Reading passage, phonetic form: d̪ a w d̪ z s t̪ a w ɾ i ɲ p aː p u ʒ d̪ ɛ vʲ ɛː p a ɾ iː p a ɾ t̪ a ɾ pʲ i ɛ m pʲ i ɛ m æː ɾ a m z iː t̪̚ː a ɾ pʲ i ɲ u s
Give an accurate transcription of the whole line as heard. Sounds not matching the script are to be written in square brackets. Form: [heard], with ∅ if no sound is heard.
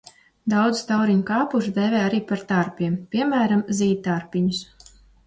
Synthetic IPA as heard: d̪ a w d̪ z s t̪ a w ɾ i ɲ [k] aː p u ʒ d̪ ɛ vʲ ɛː [∅] a ɾ iː p a ɾ t̪ a ɾ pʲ i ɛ m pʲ i ɛ m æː ɾ a m z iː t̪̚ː a ɾ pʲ i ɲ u s